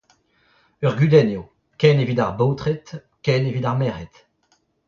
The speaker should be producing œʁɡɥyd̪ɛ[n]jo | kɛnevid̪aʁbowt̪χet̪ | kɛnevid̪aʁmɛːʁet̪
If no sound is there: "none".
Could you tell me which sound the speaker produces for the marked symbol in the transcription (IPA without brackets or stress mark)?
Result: n